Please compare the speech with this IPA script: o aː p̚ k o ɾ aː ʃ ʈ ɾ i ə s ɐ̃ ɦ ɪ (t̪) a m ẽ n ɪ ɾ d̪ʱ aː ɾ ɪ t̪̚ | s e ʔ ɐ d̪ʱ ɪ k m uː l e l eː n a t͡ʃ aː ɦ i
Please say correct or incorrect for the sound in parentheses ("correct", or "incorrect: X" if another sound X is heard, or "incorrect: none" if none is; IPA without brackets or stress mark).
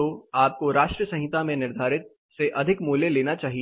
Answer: correct